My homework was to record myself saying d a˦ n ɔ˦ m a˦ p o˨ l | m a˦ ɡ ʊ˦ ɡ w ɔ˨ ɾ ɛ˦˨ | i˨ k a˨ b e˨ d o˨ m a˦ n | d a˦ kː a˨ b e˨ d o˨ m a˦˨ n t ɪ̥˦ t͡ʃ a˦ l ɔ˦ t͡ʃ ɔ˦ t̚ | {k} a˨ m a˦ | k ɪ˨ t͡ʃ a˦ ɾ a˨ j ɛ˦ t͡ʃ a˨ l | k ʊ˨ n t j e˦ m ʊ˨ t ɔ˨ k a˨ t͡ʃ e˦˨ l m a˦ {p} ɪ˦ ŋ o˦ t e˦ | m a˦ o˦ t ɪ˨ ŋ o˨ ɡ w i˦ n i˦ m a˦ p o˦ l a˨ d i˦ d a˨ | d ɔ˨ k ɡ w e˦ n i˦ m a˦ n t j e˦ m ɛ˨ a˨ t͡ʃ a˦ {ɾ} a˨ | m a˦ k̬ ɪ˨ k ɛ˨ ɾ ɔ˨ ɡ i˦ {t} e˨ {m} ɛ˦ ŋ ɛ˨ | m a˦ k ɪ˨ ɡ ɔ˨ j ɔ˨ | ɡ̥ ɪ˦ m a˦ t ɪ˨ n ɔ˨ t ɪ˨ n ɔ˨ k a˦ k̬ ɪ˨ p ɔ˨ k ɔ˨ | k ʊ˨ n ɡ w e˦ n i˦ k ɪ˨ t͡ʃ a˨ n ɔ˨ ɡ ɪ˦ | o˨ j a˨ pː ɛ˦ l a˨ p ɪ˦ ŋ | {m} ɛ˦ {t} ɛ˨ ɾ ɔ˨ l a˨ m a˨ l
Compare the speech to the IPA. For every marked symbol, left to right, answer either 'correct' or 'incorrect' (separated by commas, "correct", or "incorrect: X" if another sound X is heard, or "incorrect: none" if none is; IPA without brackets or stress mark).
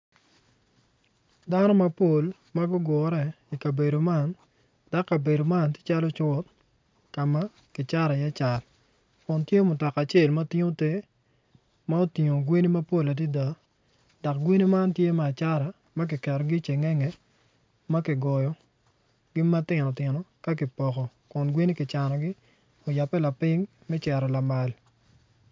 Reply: correct, incorrect: t, correct, incorrect: t͡ʃ, incorrect: ŋ, correct, incorrect: t͡ʃ